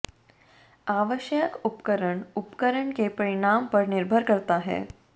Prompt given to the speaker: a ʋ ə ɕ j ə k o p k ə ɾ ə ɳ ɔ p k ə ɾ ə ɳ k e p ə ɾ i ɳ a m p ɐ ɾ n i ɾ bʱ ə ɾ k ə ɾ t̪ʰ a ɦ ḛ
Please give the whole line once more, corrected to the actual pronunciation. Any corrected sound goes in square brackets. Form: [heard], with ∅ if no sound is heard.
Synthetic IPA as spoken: a ʋ ə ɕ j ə k [u] p k ə ɾ ə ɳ [u] p k ə ɾ ə ɳ k e p ə ɾ i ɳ a m p [ə] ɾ n i ɾ bʱ ə ɾ k ə ɾ [t̪] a ɦ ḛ